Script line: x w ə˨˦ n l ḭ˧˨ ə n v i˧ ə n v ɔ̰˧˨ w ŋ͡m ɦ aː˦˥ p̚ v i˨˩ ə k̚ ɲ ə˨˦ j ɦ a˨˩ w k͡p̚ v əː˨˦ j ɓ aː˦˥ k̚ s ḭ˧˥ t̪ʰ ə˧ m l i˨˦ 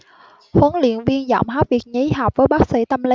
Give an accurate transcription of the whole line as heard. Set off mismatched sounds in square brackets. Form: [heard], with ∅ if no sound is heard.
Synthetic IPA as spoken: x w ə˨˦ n l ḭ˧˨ ə n v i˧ ə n [z] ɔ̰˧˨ w ŋ͡m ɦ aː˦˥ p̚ v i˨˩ ə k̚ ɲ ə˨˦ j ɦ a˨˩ w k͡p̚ v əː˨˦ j ɓ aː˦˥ k̚ s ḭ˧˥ [t̪] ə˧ m l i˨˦